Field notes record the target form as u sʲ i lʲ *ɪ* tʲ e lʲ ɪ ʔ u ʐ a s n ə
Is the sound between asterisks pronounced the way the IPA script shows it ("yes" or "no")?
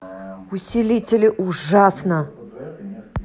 no